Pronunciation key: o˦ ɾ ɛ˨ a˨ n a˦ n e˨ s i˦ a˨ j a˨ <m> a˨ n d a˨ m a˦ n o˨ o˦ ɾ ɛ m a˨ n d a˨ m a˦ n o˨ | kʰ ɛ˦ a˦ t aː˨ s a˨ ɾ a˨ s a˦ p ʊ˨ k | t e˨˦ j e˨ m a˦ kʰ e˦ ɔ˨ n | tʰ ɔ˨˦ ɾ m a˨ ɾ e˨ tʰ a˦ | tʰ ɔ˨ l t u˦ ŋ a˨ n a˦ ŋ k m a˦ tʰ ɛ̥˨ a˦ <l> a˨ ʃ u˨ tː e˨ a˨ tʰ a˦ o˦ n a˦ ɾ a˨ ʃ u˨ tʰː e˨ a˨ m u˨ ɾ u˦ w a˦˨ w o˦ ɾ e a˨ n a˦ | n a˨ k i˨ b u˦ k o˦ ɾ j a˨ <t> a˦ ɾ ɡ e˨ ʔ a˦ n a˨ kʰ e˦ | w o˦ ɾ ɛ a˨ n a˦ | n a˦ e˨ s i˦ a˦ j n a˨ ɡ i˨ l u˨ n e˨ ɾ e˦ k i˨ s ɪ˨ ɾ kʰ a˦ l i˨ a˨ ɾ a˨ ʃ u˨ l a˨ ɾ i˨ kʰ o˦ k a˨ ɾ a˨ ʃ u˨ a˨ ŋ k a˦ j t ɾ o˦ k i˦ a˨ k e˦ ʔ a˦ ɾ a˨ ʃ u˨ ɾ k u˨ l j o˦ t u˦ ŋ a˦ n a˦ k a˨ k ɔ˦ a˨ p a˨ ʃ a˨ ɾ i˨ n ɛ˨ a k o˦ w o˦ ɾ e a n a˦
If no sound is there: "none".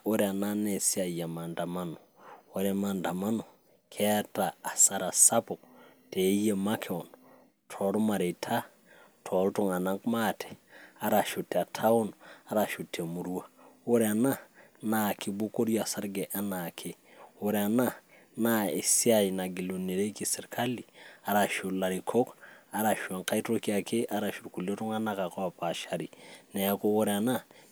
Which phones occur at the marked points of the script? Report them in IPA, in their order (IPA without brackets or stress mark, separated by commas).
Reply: m, ɾ, s